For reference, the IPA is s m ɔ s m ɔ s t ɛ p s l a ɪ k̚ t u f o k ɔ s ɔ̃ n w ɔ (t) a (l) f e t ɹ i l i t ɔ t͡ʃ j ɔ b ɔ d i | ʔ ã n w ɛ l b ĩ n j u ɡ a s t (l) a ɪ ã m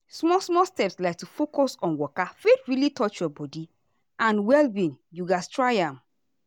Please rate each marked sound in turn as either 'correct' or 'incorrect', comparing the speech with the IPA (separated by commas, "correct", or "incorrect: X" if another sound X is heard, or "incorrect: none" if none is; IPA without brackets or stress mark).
incorrect: k, incorrect: none, incorrect: ɹ